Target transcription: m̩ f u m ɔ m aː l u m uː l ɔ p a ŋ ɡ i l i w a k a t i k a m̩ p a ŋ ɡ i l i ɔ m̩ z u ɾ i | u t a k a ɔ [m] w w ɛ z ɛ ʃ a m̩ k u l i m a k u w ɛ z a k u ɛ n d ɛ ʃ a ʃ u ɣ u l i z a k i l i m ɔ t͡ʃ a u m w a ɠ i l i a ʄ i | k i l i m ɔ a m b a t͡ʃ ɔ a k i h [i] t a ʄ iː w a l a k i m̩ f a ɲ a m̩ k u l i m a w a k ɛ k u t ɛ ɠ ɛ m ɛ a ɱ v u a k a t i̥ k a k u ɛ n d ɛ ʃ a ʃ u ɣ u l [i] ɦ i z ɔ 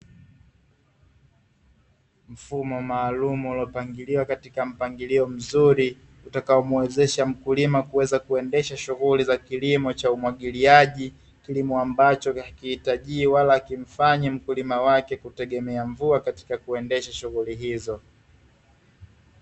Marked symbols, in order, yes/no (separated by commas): yes, yes, yes